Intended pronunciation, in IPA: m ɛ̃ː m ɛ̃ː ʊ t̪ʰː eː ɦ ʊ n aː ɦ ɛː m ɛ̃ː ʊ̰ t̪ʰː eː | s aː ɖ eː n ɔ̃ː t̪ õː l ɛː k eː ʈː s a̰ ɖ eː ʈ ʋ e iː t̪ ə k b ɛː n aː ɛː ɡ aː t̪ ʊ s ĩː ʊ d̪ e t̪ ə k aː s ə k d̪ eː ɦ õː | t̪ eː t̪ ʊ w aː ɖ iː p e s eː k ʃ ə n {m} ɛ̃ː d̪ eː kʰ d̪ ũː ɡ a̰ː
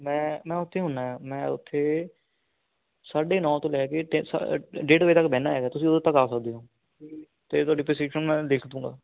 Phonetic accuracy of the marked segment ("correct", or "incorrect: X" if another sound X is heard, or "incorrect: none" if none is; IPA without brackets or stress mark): correct